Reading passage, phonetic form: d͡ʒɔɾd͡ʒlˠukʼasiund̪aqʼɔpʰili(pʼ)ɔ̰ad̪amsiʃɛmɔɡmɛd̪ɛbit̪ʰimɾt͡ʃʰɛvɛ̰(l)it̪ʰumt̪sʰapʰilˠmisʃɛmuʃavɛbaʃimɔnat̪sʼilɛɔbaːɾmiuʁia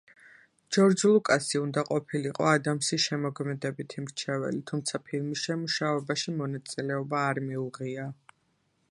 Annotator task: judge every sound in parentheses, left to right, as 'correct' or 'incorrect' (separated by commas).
incorrect, correct